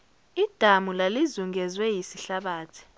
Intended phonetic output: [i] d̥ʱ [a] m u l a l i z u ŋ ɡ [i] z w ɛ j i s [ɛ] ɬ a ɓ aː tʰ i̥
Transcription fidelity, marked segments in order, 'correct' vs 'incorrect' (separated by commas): correct, correct, incorrect, incorrect